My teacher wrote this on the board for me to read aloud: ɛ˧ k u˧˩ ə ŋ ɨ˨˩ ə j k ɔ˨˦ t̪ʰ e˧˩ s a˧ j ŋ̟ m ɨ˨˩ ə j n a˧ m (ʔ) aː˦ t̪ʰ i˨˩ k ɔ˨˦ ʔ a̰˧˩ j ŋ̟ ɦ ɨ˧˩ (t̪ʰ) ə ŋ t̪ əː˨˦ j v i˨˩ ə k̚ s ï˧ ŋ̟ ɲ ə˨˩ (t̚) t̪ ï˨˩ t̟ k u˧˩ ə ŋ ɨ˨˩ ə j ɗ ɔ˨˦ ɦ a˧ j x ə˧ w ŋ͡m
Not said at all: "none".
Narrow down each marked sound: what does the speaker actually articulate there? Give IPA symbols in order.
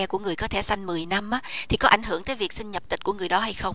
ʔ, none, p̚

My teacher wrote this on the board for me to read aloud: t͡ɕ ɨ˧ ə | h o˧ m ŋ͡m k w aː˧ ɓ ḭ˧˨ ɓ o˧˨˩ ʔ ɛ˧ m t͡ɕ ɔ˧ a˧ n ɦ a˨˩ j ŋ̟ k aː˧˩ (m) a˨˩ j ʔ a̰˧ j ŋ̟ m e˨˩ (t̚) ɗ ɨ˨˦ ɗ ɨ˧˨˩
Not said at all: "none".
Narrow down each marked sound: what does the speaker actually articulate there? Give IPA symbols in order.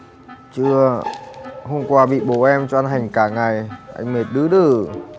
ŋ, t̚

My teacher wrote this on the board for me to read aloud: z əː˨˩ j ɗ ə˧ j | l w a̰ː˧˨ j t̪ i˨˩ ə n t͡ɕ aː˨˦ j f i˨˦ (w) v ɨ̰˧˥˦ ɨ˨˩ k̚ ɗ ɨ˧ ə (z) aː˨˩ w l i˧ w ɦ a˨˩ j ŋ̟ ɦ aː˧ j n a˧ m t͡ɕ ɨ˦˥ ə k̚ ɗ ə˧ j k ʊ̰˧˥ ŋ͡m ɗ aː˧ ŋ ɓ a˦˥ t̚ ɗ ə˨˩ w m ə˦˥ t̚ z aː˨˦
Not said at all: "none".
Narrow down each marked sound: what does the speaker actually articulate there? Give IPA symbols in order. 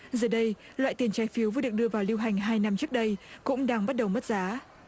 w, v

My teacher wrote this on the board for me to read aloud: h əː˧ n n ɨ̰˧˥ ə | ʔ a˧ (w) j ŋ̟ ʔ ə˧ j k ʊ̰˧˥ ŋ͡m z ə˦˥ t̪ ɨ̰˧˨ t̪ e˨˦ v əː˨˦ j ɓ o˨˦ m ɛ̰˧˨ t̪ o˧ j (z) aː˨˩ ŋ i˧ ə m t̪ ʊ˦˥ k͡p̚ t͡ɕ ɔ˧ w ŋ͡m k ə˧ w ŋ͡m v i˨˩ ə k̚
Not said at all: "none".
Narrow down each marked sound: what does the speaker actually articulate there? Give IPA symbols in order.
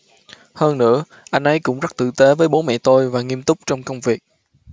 none, v

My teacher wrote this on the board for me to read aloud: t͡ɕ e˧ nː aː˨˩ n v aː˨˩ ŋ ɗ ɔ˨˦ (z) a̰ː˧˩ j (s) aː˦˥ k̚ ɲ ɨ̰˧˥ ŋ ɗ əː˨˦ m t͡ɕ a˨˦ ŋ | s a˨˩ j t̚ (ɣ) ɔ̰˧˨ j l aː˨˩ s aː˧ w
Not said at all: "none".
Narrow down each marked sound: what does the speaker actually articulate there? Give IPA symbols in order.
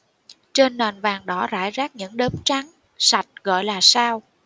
z, z, ɣ

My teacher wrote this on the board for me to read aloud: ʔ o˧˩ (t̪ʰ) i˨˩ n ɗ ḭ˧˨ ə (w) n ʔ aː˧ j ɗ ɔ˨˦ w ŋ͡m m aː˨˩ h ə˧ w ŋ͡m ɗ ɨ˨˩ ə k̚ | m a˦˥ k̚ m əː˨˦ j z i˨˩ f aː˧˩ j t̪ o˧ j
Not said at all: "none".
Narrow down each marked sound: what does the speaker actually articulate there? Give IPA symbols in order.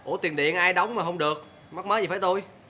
t̪, none

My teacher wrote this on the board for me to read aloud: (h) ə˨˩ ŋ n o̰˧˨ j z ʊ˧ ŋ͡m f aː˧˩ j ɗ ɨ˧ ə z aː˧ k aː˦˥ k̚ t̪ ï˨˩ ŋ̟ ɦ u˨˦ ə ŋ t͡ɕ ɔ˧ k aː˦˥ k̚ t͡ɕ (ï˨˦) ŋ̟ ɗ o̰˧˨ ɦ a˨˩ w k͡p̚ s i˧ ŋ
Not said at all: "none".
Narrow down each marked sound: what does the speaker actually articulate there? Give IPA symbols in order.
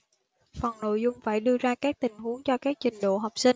f, ï˨˩

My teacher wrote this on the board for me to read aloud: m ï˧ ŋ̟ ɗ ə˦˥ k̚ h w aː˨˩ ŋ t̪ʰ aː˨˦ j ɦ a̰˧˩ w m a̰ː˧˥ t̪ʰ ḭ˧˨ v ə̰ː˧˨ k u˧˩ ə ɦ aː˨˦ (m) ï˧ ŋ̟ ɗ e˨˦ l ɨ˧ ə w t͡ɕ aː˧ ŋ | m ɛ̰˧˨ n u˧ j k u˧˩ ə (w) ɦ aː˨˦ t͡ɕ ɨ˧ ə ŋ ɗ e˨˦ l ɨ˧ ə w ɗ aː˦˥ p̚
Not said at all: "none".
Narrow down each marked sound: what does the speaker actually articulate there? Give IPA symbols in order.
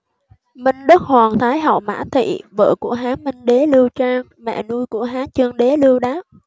m, none

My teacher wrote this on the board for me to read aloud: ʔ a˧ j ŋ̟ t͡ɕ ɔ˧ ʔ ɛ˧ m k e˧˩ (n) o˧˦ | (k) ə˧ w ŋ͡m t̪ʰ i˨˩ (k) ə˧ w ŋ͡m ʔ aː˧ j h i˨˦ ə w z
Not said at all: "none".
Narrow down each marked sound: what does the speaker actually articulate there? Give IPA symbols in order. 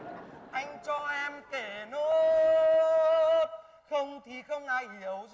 n, x, x

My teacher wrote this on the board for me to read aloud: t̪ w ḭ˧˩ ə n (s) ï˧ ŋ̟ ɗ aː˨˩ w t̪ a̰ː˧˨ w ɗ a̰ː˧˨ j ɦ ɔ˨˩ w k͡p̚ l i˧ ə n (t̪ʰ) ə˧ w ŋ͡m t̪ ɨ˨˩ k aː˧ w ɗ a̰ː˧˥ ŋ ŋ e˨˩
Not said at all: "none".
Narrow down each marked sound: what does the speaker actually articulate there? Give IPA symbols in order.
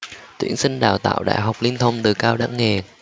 s, t̪ʰ

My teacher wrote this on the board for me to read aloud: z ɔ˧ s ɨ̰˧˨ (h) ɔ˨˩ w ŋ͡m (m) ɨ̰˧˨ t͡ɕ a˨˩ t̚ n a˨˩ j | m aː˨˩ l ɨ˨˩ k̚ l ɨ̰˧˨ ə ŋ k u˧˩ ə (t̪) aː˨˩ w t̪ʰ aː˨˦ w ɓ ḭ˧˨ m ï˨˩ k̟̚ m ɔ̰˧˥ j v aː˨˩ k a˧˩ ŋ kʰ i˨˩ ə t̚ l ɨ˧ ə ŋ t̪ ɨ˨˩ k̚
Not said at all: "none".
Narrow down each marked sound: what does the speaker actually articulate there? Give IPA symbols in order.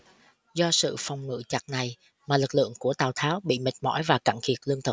f, ŋ, t̪

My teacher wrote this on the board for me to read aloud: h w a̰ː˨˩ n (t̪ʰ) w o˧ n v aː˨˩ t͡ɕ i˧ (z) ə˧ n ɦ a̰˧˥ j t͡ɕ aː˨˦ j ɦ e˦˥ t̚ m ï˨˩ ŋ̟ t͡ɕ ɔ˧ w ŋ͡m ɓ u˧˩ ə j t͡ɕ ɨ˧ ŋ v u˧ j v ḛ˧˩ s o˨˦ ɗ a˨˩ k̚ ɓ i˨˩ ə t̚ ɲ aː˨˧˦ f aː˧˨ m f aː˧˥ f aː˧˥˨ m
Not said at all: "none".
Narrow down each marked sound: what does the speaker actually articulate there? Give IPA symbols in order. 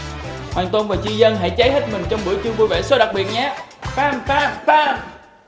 t̪, z

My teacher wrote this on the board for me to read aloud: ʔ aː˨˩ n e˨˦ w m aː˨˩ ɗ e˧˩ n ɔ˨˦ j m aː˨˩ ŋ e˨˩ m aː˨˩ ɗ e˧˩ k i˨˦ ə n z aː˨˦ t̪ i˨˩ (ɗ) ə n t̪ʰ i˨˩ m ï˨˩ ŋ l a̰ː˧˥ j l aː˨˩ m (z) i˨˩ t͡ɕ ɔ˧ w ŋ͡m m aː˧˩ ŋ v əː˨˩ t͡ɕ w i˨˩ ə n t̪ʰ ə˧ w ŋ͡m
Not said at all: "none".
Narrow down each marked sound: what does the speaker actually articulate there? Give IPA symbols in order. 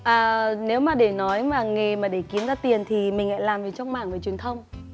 none, v

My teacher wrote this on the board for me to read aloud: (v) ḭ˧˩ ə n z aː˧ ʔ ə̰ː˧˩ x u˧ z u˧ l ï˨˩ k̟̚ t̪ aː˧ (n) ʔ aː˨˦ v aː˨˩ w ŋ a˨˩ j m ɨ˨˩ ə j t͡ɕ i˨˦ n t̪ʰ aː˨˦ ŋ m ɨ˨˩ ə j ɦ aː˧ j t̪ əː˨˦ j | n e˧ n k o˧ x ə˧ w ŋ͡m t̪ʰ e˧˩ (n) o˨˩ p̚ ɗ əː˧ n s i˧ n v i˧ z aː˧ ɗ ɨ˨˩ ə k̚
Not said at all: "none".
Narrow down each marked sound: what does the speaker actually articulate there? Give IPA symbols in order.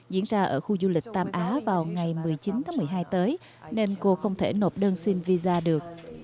z, m, n

